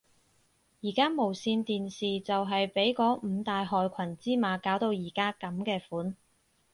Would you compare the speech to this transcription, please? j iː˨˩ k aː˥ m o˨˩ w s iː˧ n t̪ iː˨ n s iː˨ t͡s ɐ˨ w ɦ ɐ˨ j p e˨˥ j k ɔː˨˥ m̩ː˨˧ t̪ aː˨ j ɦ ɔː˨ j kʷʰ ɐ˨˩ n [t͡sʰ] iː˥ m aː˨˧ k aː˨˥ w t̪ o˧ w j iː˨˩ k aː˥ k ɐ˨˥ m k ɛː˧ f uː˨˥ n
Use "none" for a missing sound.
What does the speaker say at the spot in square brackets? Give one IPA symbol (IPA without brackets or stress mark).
t͡s